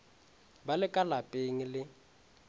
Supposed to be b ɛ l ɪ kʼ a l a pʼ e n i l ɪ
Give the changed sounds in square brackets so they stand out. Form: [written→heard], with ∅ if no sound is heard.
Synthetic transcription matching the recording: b [ɛ→a] l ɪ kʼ a l a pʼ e [n→ŋ] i l ɪ